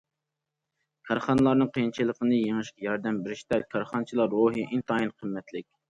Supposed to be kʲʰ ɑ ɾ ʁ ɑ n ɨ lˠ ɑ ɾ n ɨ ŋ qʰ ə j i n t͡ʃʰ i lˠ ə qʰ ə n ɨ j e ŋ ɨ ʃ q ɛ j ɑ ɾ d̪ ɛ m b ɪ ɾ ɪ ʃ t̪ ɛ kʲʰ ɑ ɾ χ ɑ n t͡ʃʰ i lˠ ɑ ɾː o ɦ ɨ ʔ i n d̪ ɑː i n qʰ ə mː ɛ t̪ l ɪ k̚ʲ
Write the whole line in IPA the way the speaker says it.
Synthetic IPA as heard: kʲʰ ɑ ɾ χ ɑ n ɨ lˠ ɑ ɾ n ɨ ŋ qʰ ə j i n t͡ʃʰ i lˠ ə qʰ ə n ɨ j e ŋ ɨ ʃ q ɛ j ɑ ɾ d̪ ɛ m b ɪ ɾ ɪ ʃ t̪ ɛ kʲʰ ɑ ɾ χ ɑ n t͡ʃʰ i lˠ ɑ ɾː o ɦ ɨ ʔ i n t̪ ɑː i n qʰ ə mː ɛ t̪ l ɪ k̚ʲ

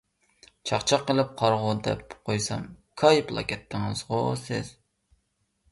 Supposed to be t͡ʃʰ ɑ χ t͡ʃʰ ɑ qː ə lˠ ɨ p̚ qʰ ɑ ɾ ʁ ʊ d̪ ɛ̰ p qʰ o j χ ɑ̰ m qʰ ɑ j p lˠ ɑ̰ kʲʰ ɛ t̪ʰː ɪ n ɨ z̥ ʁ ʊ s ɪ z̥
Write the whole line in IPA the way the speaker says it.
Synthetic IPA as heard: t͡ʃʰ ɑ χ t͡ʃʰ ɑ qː ə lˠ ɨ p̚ qʰ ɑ ɾ ʁ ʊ d̪ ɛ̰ p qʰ o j s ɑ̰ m kʰ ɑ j p lˠ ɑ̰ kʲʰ ɛ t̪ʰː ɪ ŋ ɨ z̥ ʁ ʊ s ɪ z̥

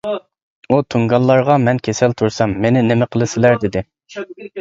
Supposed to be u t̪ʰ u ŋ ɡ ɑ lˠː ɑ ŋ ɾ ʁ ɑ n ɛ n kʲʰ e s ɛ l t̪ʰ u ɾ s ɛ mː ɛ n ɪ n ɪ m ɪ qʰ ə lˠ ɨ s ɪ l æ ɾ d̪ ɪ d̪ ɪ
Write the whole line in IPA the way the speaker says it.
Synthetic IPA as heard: u t̪ʰ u ŋ ɡ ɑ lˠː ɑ ɾ ʁ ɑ m ɛ n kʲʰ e s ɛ l t̪ʰ u ɾ s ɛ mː e n ɪ n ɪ m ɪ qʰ ə lˠ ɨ s ɪ l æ ɾ d̪ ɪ d̪ ɪ

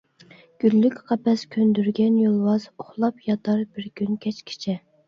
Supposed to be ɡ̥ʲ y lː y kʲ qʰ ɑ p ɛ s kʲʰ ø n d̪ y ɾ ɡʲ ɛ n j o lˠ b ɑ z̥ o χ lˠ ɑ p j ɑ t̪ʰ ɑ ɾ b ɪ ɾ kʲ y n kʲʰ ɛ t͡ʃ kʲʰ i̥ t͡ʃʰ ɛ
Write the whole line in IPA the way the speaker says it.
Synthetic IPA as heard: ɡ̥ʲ y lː y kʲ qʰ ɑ p ɛ s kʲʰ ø n d̪ y ɾ ɡʲ ɛ n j o lˠ w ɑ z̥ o χ lˠ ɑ p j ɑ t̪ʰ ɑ ɾ b ɪ ɾ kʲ y n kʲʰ ɛ t͡ʃ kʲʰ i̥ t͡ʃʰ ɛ

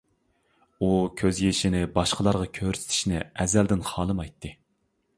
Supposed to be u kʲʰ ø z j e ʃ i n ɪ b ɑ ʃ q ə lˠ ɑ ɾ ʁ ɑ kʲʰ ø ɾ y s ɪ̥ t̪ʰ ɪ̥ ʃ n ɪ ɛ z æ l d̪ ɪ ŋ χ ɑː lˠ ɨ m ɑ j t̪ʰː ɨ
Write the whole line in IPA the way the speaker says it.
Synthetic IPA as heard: u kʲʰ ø z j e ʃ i n ɪ b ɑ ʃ q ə lˠ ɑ ɾ ʁ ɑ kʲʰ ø ɾ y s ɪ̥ t̪ʰ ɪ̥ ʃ n ɪ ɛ z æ l d̪ ɪ n χ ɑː lˠ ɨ m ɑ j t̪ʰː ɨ

